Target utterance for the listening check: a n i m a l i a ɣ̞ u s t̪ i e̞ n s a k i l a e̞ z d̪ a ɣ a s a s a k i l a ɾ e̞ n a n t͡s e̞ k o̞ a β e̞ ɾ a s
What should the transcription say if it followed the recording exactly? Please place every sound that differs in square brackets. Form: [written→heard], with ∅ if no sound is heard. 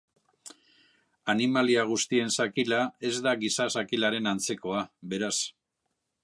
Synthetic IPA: a n i m a l i a ɣ̞ u s t̪ i e̞ n s a k i l a e̞ z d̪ a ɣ [a→i] s a s a k i l a ɾ e̞ n a n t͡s e̞ k o̞ a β e̞ ɾ a s